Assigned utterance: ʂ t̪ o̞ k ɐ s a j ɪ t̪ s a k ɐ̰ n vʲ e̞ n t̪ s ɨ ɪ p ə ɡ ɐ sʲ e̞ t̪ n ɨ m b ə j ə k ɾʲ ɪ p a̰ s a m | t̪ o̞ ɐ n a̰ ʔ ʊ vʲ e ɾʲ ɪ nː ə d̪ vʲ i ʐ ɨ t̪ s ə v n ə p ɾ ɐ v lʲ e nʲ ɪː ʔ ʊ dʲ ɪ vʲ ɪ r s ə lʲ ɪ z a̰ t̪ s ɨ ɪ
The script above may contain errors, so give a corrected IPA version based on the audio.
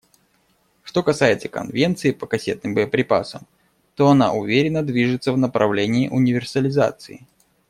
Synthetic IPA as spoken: ʂ t̪ o̞ k ɐ s a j ɪ t̪ s ə k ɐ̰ n vʲ e̞ n t̪ s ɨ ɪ p ə k ɐ sʲ e̞ t̪ n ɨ m b ə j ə p ɾʲ ɪ p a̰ s ə m | t̪ o̞ ɐ n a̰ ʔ ʊ vʲ e ɾʲ ɪ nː ə d̪ vʲ i ʐ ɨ t̪ s ə v n ə p ɾ ɐ v lʲ e nʲ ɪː ʔ ʊ nʲ ɪ vʲ ɪ r s ə lʲ ɪ z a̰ t̪ s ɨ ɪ